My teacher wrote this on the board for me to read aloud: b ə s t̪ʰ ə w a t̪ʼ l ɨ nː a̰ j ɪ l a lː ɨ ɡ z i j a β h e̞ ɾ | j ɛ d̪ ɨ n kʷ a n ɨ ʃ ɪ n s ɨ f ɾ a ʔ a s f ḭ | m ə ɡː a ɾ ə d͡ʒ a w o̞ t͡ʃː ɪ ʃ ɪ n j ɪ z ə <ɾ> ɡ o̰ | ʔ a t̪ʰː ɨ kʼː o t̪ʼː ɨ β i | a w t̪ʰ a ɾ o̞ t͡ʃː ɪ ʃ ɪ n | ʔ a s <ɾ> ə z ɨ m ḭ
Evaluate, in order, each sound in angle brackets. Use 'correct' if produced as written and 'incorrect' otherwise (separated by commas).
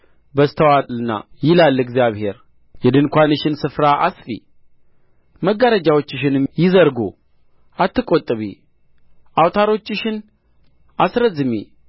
correct, correct